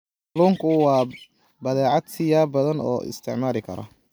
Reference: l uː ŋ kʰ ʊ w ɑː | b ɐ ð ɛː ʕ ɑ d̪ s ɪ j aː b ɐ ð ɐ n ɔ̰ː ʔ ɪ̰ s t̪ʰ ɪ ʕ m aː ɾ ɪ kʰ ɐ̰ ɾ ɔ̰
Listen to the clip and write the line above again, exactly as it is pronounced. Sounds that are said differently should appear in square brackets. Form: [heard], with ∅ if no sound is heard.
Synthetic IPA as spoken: l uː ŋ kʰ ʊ w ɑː | b ɐ ð ɛː ʕ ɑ d̪ s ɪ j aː b ɐ ð ɐ n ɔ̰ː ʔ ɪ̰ s t̪ʰ ɪ ʕ m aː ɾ ɪ kʰ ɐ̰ ɾ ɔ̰